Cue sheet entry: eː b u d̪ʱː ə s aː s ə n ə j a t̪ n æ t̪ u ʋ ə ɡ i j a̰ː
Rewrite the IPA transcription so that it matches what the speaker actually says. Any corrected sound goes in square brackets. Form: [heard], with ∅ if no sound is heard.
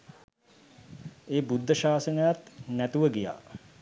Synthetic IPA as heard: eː b u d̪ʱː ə [ʃ] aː s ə n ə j a t̪ n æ t̪ u ʋ ə ɡ i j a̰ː